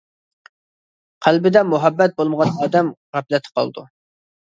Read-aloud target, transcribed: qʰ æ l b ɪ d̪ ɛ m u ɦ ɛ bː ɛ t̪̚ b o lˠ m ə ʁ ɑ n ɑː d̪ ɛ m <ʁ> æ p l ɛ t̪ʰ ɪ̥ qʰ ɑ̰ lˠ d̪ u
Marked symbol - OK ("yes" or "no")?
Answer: yes